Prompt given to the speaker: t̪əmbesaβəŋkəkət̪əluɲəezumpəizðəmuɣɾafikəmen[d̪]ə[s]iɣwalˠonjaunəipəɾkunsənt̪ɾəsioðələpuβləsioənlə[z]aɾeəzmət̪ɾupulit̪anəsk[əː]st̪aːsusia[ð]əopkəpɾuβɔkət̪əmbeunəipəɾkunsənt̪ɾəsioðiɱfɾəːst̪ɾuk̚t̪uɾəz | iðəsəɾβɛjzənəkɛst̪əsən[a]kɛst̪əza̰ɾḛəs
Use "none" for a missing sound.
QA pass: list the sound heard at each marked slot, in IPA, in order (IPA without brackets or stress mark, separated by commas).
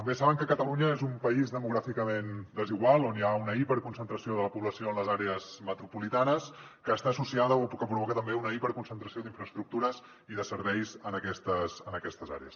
d̪, z, z, əː, ð, ə